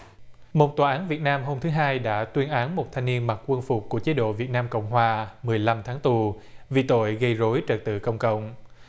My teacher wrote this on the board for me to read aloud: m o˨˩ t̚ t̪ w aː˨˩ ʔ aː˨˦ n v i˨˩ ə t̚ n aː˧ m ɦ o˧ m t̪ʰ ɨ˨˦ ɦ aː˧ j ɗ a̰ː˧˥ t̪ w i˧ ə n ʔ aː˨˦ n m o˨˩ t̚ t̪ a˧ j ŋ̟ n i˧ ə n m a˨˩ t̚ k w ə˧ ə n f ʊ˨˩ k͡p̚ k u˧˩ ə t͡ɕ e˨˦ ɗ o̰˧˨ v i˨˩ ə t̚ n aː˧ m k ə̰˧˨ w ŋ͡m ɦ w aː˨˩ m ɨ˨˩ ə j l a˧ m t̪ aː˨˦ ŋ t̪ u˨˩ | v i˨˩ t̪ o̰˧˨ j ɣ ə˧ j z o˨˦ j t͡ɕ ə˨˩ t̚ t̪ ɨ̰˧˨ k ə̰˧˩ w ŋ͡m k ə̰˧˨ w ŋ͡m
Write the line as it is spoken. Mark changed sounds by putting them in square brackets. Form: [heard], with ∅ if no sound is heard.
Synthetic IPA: m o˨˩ t̚ t̪ w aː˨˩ ʔ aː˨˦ n v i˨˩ ə t̚ n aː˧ m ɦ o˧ m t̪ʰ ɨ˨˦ ɦ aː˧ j ɗ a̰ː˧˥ t̪ w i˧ ə n ʔ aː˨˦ n m o˨˩ t̚ [t̪ʰ] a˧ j ŋ̟ n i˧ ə n m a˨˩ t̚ k w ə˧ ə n f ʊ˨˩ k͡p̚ k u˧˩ ə t͡ɕ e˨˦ ɗ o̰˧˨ v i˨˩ ə t̚ n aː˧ m k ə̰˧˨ w ŋ͡m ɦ w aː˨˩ m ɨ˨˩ ə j l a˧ m [t̪ʰ] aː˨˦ ŋ t̪ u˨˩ | v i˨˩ t̪ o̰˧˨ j ɣ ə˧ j z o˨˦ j t͡ɕ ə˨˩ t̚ t̪ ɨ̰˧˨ k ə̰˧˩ w ŋ͡m k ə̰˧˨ w ŋ͡m